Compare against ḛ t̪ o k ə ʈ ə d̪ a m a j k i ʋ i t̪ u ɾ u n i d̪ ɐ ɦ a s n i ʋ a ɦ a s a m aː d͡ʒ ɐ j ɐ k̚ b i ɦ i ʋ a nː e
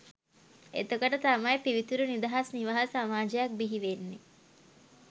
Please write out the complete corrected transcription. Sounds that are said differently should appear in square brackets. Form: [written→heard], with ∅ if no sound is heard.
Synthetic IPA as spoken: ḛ t̪ o k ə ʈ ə [d̪→t̪] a m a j [k→p] i ʋ i t̪ u ɾ u n i d̪ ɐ ɦ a s n i ʋ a ɦ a s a m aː d͡ʒ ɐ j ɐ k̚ b i ɦ i ʋ [a→e] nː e